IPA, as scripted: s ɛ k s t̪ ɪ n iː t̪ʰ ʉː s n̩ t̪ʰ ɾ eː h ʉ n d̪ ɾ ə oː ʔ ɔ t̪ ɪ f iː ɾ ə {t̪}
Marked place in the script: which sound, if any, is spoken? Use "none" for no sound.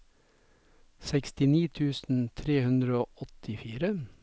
none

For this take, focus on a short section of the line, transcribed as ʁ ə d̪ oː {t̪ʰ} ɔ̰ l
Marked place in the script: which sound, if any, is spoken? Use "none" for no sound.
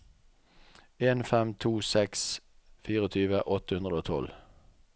t̪ʰ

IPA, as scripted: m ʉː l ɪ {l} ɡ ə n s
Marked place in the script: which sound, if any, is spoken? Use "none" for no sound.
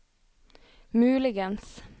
none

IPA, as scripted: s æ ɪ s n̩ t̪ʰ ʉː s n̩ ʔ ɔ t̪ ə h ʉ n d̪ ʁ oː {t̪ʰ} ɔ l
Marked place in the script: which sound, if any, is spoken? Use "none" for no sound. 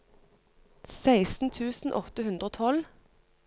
t̪ʰ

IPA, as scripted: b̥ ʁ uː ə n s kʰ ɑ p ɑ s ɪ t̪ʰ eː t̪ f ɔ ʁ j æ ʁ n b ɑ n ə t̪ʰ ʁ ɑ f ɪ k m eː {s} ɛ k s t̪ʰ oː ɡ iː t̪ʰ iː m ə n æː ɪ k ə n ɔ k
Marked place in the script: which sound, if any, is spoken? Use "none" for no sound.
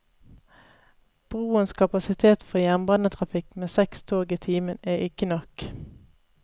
s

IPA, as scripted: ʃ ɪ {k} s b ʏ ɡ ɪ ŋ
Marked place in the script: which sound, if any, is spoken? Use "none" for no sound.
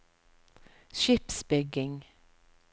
p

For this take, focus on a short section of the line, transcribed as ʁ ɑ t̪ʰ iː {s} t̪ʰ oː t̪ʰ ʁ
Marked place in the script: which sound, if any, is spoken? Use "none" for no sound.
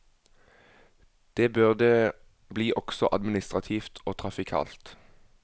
f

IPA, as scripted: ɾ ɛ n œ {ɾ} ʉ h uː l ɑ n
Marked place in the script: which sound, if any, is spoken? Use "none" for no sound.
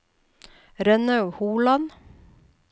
none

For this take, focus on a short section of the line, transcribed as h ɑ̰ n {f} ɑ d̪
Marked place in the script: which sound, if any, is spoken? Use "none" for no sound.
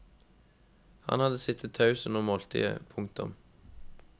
h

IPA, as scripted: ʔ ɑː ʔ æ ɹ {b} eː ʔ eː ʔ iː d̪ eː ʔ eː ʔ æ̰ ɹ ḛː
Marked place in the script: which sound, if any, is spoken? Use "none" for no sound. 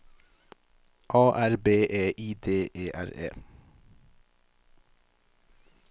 b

